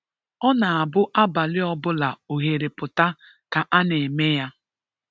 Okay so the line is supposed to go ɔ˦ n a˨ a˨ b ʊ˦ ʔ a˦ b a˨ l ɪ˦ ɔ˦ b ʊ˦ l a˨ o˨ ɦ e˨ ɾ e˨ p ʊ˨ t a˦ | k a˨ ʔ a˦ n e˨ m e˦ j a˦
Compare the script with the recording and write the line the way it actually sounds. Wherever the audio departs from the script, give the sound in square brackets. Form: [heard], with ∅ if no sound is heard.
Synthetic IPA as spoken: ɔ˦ n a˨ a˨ b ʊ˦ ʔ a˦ b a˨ l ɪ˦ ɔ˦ b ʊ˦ l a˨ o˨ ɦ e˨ ɾ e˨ p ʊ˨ t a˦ | k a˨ ʔ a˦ n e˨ m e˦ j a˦